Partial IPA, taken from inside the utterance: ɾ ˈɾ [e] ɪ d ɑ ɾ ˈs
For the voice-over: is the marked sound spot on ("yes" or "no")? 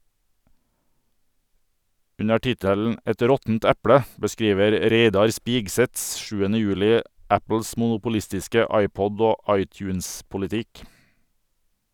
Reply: yes